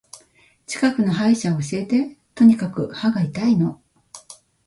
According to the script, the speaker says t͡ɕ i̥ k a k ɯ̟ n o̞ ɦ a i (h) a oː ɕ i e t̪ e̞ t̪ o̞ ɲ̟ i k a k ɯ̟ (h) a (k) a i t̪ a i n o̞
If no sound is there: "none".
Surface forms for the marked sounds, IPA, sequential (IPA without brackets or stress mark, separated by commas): ɕ, h, ɡ